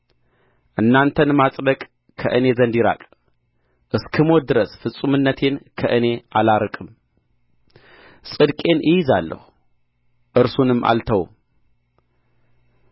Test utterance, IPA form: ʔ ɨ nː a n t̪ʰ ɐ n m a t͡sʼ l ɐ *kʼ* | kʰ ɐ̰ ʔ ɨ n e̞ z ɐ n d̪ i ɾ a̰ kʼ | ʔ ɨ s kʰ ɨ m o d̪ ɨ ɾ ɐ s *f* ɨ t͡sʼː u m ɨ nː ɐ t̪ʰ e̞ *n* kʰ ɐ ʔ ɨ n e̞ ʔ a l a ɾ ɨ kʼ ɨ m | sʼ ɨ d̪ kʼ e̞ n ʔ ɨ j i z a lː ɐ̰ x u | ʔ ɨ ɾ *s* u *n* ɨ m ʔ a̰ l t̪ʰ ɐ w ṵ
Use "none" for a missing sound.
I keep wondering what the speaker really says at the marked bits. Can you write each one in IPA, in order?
kʼ, f, n, s, n

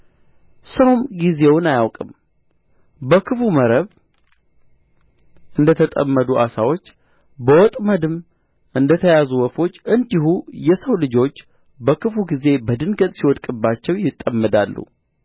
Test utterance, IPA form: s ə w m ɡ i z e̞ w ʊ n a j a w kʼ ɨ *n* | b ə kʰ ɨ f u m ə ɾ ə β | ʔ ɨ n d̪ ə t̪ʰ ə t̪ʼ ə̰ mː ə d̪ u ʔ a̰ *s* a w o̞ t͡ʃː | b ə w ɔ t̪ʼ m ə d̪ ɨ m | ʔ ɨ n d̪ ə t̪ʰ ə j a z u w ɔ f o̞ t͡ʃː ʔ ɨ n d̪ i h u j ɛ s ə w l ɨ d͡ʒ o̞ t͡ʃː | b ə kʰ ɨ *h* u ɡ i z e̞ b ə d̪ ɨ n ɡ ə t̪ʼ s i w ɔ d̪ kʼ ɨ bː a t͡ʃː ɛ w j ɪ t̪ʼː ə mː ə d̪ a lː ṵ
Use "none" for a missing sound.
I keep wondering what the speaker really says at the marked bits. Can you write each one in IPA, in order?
m, s, f

